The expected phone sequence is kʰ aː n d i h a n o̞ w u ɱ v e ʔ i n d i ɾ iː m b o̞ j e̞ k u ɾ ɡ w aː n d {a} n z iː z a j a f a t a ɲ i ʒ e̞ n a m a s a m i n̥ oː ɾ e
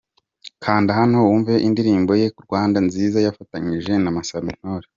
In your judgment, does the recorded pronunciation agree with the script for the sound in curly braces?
yes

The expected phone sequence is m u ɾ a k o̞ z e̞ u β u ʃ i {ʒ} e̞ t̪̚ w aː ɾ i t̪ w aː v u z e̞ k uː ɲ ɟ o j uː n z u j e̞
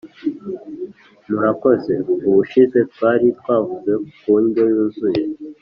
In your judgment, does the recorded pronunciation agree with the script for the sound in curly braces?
no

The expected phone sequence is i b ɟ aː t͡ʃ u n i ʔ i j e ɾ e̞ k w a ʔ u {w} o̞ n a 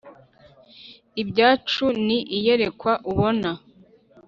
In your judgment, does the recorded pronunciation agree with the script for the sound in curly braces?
no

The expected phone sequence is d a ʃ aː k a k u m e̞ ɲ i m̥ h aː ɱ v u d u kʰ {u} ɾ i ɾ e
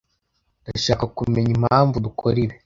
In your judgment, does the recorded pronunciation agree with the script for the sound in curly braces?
no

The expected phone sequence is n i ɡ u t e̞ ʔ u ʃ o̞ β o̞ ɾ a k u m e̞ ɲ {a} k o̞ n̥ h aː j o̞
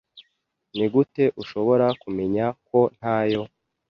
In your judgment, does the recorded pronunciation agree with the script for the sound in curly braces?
yes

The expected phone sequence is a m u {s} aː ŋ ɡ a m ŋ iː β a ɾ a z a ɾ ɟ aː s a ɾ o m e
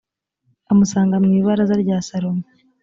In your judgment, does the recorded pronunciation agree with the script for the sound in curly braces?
yes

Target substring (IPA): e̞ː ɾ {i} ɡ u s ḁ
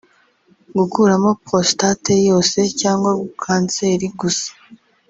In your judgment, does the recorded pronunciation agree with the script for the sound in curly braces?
yes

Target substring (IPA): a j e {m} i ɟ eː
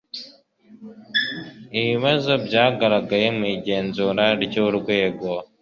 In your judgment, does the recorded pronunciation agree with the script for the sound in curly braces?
yes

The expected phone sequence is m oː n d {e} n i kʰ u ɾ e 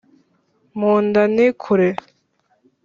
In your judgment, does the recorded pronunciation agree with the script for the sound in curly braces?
no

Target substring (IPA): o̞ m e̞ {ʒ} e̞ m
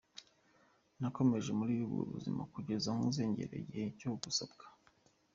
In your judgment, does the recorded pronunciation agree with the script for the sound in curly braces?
yes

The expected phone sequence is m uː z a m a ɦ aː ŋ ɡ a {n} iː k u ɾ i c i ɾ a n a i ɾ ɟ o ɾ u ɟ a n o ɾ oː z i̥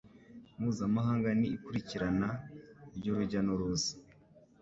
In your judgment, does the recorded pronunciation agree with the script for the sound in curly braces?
yes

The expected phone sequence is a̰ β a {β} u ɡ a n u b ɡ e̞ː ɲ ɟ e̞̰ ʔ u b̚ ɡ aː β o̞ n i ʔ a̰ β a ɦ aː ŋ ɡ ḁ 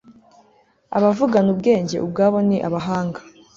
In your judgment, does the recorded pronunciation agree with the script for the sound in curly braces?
no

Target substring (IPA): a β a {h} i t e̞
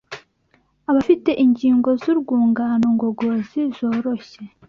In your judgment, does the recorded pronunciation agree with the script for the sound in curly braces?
no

